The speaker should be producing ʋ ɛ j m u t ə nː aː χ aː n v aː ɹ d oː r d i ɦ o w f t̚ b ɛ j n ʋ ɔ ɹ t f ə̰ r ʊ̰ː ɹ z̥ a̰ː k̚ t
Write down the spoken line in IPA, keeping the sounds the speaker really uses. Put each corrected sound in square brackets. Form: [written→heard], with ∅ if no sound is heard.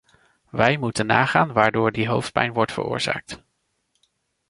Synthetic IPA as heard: ʋ ɛ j m u t ə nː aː χ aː n [v→ʋ] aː ɹ d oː [r→ɹ] d i ɦ o w f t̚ [b→p] ɛ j n ʋ ɔ ɹ t f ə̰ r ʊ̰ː ɹ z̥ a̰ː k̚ t